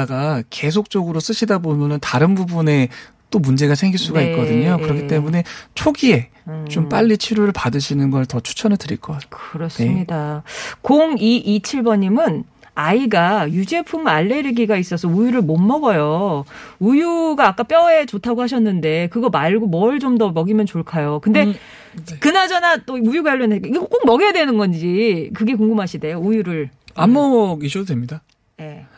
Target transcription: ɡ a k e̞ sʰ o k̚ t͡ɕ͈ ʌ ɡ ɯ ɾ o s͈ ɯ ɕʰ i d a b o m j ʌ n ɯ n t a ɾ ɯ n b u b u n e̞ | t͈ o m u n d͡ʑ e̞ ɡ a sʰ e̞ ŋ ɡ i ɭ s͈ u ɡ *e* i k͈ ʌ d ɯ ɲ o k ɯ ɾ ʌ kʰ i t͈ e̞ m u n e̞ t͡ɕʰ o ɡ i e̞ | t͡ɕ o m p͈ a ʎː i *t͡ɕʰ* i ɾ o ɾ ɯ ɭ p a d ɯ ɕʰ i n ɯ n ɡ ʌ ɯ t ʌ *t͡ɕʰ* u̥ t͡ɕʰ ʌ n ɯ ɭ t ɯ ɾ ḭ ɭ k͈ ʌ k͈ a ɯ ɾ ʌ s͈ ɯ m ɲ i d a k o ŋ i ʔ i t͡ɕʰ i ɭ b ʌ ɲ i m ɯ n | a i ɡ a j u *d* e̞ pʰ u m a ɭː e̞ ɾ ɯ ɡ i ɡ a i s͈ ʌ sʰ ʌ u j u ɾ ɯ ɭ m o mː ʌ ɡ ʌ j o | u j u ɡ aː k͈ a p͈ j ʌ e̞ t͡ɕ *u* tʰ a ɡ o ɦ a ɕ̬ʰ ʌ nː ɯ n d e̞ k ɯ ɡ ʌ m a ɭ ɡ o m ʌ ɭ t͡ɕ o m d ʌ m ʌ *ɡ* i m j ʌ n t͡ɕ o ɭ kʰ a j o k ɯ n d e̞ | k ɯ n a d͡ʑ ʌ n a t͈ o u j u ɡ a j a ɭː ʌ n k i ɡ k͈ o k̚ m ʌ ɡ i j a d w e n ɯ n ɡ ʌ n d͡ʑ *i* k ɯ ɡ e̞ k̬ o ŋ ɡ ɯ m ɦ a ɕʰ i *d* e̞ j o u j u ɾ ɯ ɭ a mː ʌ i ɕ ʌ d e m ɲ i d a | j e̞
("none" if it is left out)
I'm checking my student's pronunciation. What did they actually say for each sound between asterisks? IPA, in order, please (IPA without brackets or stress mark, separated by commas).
a, t͡ɕʰ, t͡ɕʰ, d͡ʑ, o, ɡ, i, d